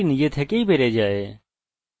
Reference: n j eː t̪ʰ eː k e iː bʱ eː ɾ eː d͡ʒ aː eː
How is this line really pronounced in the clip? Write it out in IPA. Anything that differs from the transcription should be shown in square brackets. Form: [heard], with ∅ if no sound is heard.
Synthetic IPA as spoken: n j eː t̪ʰ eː k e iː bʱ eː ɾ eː d͡ʒ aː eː

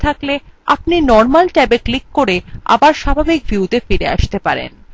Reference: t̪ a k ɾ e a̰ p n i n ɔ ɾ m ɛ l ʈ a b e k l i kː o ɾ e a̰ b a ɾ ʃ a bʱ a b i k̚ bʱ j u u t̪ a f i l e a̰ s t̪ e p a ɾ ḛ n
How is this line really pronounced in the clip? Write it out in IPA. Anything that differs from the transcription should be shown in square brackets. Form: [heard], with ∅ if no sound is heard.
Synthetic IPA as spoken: [t̪ʰ] a k [l] e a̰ p n i n ɔ ɾ m [a] l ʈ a b e k l i kː o ɾ e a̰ b a ɾ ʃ a bʱ a b i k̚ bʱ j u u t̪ [e] f i [ɾ] e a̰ [ʃ] t̪ e p a ɾ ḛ n

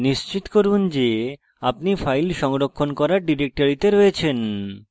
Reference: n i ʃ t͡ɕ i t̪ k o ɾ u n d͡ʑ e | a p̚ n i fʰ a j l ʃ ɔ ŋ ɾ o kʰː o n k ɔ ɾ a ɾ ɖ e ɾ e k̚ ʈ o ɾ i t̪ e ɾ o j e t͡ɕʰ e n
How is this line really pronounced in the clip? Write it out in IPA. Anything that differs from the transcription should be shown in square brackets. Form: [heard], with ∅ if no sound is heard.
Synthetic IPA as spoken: n i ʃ t͡ɕ i t̪ k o ɾ u n d͡ʑ e | a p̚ n i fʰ a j l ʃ ɔ ŋ ɾ o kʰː o n k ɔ ɾ a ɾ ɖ [i] ɾ e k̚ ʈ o ɾ i t̪ e ɾ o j e t͡ɕʰ e n

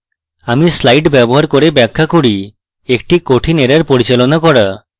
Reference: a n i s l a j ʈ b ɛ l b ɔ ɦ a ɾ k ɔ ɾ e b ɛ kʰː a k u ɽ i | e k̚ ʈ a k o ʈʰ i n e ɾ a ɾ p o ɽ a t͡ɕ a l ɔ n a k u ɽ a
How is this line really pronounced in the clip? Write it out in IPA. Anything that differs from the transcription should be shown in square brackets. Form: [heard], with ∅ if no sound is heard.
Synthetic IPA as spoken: a [m] i s l a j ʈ b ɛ [∅] b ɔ ɦ a ɾ k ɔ ɾ e b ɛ kʰː a k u ɽ i | e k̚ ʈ [i] k o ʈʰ i n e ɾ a ɾ p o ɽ [i] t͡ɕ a l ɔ n a k [ɔ] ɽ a

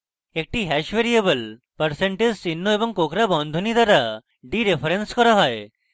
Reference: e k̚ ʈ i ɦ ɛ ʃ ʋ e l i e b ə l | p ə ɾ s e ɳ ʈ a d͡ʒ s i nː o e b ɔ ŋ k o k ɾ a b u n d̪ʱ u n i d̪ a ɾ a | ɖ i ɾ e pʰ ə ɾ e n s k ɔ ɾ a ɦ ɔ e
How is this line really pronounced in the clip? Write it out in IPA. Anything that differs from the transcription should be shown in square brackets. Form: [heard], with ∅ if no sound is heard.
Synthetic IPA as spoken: e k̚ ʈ i ɦ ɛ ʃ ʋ e [ɾ] i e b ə l | p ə ɾ s e ɳ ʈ [e] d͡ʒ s i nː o e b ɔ ŋ k o k ɾ a b [ɔ] n d̪ʱ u n i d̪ a ɾ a | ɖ i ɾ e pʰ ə ɾ e n s k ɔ ɾ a ɦ ɔ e

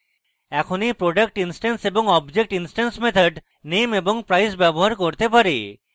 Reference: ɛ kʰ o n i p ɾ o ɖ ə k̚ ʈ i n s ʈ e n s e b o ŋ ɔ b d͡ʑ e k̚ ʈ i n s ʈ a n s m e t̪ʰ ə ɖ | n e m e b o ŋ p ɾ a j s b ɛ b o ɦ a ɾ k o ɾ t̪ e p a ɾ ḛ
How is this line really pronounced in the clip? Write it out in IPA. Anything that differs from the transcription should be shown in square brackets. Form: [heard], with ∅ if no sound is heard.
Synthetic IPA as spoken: ɛ kʰ o n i p ɾ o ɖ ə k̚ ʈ i n s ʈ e n s e b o ŋ ɔ b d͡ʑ e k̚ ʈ i n s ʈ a n s m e t̪ʰ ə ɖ | n e m e b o ŋ p ɾ a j s b ɛ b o ɦ a ɾ k o ɾ t̪ e p a ɾ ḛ

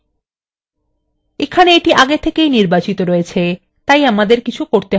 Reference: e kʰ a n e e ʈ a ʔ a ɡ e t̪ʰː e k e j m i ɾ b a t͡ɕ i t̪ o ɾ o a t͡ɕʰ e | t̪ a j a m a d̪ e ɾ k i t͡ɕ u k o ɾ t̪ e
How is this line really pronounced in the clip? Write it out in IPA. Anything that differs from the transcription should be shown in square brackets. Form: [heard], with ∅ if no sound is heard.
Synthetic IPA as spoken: e kʰ a n e e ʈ [i] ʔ a ɡ e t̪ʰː e k e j [n] i ɾ b a t͡ɕ i t̪ o ɾ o [e] t͡ɕʰ e | t̪ a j a m a d̪ e ɾ k i [t͡ɕʰ] u k o ɾ t̪ e

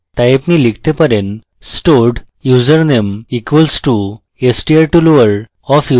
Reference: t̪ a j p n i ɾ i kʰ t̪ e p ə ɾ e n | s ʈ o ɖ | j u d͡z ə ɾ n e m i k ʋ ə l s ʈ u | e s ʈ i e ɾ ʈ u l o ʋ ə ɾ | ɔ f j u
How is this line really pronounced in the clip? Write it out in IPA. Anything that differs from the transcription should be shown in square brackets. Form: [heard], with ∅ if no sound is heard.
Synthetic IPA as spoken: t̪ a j p n i [l] i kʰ t̪ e p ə ɾ e n | s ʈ o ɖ | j u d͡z ə ɾ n e m i k ʋ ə l s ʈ u | e s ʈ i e ɾ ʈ u l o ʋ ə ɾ | ɔ f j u

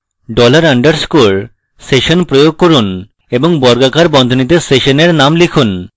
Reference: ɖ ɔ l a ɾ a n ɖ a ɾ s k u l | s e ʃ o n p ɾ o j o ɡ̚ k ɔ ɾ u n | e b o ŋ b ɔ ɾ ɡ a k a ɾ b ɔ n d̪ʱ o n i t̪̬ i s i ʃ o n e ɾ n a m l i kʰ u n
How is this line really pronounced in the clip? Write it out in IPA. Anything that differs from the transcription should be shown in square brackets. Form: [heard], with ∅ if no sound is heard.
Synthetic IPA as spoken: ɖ ɔ l a ɾ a [ɳ] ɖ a ɾ s k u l | s e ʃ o n p ɾ o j o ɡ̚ k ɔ ɾ u n | e b o ŋ b ɔ ɾ ɡ a k a ɾ b ɔ n d̪ʱ o n i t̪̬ [e] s [e] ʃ o n e ɾ n a m l i kʰ u n

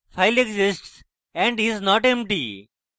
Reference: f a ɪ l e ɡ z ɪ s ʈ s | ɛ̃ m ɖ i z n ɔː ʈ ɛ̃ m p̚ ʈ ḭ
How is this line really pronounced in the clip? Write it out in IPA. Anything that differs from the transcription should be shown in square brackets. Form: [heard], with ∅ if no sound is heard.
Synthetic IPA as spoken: f a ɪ l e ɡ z ɪ s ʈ s | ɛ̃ [ɳ] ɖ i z n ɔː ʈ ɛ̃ m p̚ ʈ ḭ

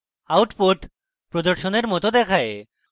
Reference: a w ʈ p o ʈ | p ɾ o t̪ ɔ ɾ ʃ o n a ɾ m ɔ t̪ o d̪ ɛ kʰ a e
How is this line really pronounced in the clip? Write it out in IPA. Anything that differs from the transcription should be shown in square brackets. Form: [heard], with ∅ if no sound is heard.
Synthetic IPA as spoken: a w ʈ p o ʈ | p ɾ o [d̪] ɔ ɾ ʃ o n [e] ɾ m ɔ t̪ o d̪ ɛ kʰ a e

